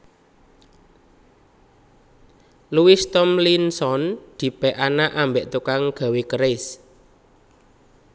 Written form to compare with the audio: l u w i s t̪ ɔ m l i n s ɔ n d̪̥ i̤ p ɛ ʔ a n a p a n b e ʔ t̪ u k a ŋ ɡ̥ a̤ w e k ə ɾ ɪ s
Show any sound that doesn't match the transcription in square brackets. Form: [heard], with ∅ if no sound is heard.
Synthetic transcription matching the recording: l u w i s t̪ ɔ m l i n s ɔ n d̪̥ i̤ p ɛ ʔ a n a [ʔ] a [m] b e ʔ t̪ u k a ŋ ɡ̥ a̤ w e k ə ɾ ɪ s